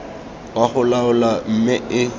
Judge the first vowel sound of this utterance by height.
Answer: low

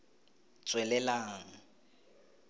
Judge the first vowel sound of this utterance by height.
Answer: mid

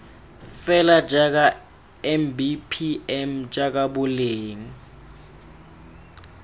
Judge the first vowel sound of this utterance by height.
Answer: mid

